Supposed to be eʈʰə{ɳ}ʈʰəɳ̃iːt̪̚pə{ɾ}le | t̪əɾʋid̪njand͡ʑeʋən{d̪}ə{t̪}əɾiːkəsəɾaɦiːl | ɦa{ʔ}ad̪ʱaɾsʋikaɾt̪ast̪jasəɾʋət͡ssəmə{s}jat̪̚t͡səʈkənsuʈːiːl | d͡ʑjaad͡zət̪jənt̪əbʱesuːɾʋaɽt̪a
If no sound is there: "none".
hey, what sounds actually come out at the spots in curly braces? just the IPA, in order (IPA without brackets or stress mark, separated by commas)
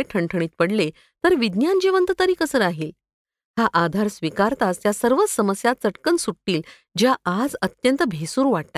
ɳ, ɽ, t̪, t̪, ʔ, s